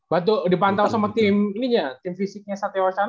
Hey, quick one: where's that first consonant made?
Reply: lips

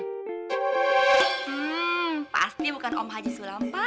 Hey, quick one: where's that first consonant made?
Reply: lips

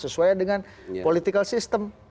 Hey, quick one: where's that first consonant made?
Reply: tongue tip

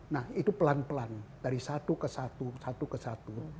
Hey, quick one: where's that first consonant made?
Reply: tongue tip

